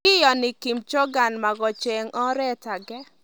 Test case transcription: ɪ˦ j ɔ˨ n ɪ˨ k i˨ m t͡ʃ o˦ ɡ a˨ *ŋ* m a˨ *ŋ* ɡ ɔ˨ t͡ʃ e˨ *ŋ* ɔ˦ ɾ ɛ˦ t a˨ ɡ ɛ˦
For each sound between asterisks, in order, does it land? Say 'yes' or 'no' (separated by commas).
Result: no, no, yes